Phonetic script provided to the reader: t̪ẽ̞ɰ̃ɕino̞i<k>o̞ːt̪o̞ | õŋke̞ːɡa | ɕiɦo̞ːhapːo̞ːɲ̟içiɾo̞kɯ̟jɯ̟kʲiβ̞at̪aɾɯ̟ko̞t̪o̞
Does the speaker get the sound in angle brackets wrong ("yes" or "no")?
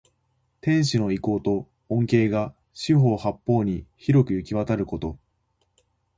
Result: no